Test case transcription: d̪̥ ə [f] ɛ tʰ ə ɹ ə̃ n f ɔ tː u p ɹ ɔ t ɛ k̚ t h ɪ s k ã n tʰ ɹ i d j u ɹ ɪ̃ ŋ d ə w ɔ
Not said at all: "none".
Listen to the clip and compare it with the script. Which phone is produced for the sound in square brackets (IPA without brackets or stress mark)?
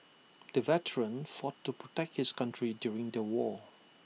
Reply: v